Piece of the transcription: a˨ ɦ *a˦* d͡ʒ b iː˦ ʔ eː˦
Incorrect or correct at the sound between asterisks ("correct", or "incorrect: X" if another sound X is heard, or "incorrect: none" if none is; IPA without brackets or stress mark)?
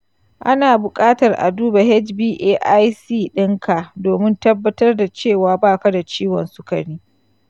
incorrect: ɛ˦